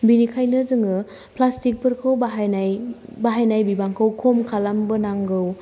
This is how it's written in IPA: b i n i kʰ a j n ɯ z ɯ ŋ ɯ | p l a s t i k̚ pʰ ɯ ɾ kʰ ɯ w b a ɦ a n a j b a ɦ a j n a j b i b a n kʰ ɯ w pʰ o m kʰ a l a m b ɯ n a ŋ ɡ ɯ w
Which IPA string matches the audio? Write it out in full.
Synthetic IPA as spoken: b i n i kʰ a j n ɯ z ɯ ŋ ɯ | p l a s t i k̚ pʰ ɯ ɾ kʰ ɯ w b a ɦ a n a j b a ɦ a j n a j b i b a ŋ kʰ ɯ w kʰ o m kʰ a l a m b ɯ n a ŋ ɡ ɯ w